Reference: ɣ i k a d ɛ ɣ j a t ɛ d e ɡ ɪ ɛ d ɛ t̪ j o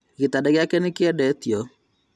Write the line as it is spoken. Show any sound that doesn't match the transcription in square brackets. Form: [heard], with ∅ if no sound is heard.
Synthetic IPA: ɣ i [t] a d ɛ ɣ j a [k] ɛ [n] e [k] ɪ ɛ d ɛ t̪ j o

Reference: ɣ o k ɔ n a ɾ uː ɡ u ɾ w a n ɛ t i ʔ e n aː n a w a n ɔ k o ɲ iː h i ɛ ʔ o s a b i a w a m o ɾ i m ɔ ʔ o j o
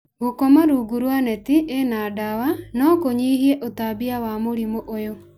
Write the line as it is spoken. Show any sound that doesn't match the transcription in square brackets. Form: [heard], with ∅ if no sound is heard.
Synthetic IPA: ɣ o k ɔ [m] a ɾ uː ɡ u ɾ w a n ɛ t i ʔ e n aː [d] a w a n ɔ k o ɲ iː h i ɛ ʔ o [t] a b i a w a m o ɾ i m [o] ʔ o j o

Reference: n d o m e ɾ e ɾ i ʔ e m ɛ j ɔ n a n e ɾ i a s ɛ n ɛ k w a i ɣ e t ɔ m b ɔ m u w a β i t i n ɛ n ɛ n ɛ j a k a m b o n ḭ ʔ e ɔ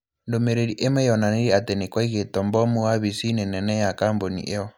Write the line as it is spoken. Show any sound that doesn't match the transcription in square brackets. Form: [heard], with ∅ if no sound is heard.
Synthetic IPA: n d o m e ɾ e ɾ i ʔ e m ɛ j ɔ n a n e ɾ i a [t] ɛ n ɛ k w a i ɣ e t ɔ m b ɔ m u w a β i [s] i n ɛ n ɛ n ɛ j a k a m b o n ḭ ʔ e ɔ

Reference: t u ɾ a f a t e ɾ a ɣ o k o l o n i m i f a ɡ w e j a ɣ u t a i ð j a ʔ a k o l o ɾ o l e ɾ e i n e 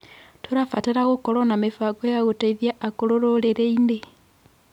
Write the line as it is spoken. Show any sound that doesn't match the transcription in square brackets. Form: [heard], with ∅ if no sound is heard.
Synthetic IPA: t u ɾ a f a t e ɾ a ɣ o k o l o n [a] m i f a ɡ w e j a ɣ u t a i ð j a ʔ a k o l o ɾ o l e ɾ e i n e

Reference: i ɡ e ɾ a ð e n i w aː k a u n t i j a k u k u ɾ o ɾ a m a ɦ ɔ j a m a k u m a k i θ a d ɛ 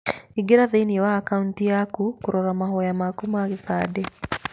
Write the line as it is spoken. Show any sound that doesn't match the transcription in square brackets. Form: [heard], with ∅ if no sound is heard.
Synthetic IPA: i ɡ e ɾ a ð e n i w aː k a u n t i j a k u k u ɾ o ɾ a m a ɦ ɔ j a m a k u m a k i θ a d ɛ

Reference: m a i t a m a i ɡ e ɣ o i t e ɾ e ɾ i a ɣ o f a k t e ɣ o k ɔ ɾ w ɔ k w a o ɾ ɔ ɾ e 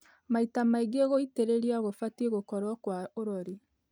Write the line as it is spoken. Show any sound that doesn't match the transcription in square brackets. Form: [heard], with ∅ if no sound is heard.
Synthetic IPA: m a i t a m a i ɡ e ɣ o i t e ɾ e ɾ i a ɣ o f a [∅] t e ɣ o k ɔ ɾ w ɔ k w a o ɾ ɔ ɾ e

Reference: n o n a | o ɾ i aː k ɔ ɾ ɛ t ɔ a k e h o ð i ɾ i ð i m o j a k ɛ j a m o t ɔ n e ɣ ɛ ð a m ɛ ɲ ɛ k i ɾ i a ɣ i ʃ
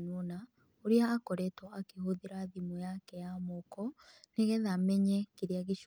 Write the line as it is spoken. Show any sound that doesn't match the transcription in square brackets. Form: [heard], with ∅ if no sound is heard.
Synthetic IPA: n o n a | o ɾ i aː k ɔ ɾ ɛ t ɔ a k e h o ð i ɾ [a] ð i m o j a k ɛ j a m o [k] ɔ n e ɣ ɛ ð a m ɛ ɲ ɛ k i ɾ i a ɣ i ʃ

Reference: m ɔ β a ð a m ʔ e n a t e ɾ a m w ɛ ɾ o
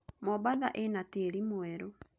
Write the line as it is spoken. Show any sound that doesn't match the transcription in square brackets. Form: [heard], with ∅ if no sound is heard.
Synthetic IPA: m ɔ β a ð a [∅] ʔ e n a t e ɾ [i] m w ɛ ɾ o

